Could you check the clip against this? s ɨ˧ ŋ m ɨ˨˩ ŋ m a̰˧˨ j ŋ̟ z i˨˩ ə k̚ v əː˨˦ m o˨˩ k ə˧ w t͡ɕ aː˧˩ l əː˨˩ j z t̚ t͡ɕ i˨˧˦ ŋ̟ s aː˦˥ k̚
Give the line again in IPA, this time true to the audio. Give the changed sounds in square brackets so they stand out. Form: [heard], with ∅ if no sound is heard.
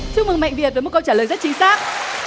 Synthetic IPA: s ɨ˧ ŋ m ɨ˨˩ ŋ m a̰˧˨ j ŋ̟ [v] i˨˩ ə [t̚] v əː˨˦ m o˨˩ k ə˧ w t͡ɕ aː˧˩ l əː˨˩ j z t̚ t͡ɕ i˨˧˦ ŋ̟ s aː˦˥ k̚